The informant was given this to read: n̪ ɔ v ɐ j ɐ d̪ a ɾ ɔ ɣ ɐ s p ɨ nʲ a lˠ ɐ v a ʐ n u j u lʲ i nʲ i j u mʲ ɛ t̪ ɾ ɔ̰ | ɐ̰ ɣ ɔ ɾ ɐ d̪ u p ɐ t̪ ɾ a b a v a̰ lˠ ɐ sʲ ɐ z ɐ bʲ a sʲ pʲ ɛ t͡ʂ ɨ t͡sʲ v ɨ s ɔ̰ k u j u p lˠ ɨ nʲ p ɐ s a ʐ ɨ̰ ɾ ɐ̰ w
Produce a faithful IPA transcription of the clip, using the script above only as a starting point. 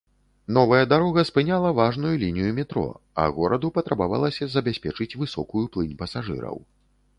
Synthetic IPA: n̪ ɔ v ɐ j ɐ d̪ a ɾ ɔ ɣ ɐ s p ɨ nʲ a lˠ ɐ v a ʐ n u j u lʲ i nʲ i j u mʲ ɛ t̪ ɾ ɔ̰ | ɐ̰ ɣ ɔ ɾ ɐ d̪ u p ɐ t̪ ɾ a b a v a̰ lˠ ɐ sʲ ɐ z ɐ bʲ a sʲ pʲ ɛ t͡ʂ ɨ t͡sʲ v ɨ s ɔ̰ k u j u p lˠ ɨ nʲ p ɐ s a ʐ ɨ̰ ɾ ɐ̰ w